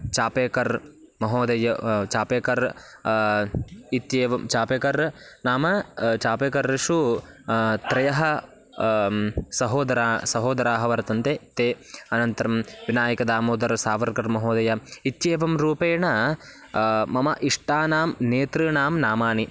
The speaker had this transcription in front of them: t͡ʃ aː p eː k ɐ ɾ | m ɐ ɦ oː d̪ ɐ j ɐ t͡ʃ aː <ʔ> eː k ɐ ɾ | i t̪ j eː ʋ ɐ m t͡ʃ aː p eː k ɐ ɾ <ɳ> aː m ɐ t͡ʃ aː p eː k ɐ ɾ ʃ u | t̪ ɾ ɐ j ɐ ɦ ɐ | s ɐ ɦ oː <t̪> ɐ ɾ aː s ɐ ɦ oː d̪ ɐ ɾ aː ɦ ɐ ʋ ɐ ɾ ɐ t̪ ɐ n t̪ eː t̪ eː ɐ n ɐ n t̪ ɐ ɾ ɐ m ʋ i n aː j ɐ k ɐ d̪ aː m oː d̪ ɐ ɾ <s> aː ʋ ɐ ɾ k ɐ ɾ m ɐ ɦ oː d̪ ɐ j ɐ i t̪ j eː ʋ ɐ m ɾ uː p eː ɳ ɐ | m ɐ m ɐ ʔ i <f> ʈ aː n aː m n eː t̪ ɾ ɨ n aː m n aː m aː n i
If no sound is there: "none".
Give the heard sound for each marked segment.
p, n, d̪, s, ʂ

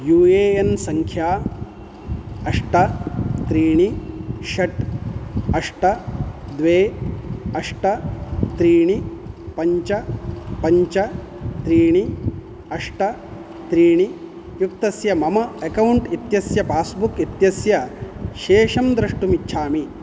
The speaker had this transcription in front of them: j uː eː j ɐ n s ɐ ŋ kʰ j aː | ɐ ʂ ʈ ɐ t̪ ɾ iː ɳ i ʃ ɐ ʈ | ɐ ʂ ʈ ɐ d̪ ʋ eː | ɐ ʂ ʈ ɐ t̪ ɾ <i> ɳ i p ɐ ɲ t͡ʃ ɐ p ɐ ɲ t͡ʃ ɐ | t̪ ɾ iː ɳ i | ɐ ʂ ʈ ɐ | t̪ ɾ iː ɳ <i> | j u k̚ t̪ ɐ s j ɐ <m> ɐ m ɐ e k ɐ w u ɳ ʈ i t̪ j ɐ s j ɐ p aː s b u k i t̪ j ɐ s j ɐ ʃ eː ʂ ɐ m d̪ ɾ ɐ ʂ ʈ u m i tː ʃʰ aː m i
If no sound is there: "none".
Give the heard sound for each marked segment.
iː, i, m

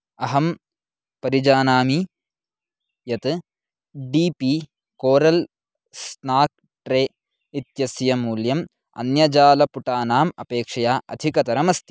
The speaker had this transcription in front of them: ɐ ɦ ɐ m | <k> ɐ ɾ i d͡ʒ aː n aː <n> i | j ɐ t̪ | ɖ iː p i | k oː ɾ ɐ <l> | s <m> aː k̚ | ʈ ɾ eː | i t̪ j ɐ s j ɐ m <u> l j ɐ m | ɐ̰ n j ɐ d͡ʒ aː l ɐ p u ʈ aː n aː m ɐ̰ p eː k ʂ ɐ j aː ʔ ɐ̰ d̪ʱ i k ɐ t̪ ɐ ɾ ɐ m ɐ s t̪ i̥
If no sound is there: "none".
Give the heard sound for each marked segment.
p, m, l, n, uː

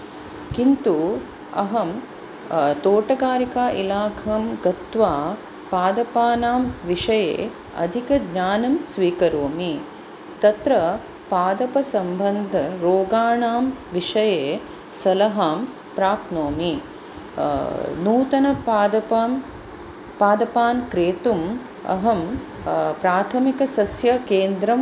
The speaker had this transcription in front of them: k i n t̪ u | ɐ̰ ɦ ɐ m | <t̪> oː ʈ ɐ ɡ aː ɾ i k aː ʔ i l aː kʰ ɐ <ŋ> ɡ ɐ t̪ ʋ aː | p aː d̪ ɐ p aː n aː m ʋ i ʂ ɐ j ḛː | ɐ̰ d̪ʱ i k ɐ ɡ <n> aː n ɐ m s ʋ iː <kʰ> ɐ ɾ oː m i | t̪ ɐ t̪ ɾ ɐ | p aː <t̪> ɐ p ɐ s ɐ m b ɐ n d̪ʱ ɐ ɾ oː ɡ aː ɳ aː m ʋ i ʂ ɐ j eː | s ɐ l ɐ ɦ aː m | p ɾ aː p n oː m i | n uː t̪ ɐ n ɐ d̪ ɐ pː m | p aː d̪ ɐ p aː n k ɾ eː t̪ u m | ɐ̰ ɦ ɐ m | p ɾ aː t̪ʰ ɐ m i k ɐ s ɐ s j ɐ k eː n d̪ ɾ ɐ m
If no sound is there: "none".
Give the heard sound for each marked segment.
t̪, m, ɲ, k, d̪

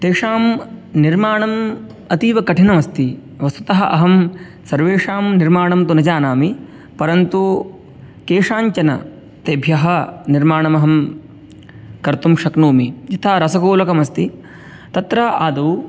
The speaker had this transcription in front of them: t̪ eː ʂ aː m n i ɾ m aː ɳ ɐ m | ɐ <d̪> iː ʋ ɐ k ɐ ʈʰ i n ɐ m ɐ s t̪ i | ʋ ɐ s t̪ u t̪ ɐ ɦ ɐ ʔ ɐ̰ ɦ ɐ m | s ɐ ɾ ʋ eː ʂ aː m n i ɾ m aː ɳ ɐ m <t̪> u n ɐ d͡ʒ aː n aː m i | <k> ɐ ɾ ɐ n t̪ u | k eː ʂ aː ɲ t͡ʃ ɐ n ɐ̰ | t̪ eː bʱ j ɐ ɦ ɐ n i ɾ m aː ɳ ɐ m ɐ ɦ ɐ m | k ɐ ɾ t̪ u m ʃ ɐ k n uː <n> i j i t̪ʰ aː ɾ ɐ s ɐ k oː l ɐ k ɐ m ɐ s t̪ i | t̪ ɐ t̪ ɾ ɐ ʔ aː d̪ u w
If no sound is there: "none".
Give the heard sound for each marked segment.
t̪, t̪, p, m

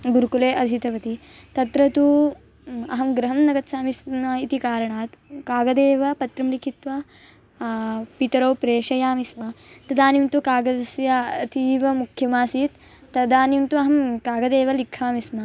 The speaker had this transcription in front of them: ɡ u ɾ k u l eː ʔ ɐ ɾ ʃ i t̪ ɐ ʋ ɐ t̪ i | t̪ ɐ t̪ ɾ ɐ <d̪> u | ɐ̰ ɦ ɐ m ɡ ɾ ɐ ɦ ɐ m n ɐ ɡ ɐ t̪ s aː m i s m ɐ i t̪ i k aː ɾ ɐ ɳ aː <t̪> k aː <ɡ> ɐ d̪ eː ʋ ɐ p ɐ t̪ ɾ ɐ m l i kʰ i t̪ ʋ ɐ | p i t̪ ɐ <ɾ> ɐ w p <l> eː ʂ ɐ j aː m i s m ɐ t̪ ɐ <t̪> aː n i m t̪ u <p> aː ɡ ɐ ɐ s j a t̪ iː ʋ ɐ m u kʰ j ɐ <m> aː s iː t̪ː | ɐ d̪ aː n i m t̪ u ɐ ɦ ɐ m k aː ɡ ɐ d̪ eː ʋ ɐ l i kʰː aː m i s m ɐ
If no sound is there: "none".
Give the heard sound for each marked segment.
t̪, t̪, ɡ, ɾ, ɾ, d̪, k, m

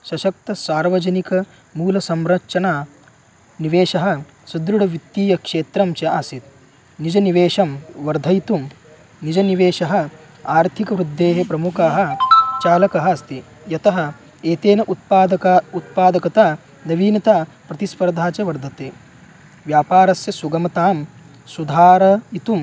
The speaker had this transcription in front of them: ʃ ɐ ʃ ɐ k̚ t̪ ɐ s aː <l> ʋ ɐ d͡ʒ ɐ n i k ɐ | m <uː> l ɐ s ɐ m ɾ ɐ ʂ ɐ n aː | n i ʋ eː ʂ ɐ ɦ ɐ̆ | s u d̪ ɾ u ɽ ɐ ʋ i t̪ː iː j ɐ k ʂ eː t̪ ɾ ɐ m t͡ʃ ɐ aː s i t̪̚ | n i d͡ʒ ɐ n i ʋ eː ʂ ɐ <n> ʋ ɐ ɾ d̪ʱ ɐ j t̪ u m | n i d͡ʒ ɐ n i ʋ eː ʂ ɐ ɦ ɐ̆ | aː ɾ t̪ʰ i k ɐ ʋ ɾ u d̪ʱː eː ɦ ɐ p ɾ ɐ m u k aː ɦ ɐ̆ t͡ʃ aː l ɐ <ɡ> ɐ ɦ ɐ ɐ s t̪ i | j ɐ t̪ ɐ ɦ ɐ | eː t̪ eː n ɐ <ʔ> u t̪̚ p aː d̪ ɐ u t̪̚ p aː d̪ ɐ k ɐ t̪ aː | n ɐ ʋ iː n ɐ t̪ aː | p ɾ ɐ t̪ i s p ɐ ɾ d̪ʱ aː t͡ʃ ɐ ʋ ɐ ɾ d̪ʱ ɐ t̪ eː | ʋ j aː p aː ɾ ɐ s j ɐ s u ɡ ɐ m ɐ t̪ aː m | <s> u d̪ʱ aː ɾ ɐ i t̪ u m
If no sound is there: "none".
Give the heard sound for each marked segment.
ɾ, uː, m, k, ʔ, s

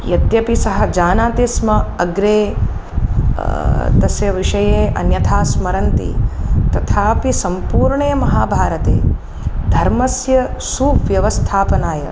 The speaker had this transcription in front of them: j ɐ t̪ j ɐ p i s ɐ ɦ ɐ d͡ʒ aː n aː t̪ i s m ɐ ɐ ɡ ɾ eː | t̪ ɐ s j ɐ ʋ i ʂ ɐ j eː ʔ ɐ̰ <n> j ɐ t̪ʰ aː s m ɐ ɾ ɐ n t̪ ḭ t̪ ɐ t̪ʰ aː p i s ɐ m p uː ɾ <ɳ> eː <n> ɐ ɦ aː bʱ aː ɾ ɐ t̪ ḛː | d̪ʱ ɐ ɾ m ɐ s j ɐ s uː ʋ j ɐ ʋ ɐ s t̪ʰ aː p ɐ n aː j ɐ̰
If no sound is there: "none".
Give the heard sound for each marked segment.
n, ɳ, m

